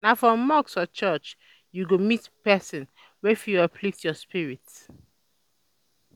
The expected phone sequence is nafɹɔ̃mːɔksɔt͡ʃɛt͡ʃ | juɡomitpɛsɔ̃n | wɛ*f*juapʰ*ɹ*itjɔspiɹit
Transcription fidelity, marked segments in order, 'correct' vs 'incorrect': correct, incorrect: l

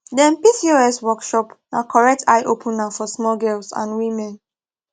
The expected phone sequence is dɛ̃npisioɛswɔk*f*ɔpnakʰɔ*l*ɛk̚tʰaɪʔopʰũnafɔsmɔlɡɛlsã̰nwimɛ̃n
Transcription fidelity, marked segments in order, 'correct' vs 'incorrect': incorrect: ʃ, incorrect: ɹ

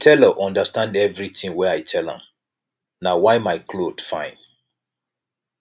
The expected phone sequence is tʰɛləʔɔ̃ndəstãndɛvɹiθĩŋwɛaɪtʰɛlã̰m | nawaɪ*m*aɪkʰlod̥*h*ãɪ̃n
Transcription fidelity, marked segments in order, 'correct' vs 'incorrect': correct, incorrect: f

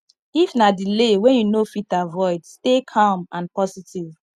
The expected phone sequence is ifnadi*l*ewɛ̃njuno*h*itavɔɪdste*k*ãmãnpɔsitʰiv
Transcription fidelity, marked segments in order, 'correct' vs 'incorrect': correct, incorrect: f, incorrect: kʰ

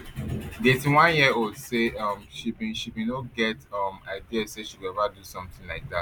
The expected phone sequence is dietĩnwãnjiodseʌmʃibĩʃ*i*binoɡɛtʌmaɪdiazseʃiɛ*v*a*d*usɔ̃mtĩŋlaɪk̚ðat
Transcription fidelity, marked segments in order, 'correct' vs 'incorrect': correct, correct, correct

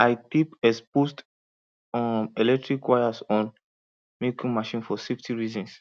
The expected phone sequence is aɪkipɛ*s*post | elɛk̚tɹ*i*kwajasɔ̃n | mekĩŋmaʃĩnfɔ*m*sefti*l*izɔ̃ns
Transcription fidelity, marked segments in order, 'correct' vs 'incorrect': correct, correct, incorrect: none, incorrect: ɹ

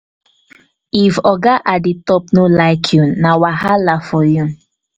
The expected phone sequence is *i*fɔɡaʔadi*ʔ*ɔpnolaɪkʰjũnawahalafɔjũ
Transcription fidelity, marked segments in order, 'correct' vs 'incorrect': correct, incorrect: t

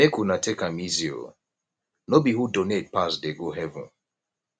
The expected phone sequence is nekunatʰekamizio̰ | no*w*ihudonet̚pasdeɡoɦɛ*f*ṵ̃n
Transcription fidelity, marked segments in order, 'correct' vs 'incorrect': incorrect: b, incorrect: v

